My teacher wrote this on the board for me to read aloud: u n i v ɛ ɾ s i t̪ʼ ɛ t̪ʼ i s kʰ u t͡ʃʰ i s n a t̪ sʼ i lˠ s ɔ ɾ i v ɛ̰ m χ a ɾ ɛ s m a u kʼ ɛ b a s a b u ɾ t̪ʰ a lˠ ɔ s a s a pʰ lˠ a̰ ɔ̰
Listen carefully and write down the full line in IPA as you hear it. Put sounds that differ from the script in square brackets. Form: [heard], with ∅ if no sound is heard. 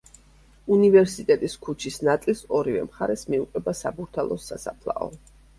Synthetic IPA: u n i v ɛ ɾ s i t̪ʼ ɛ t̪ʼ i s kʰ u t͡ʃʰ i s n a t̪ sʼ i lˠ s ɔ ɾ i v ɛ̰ m χ a ɾ ɛ s m [i] u [qʼ] ɛ b a s a b u ɾ t̪ʰ a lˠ ɔ s a s a pʰ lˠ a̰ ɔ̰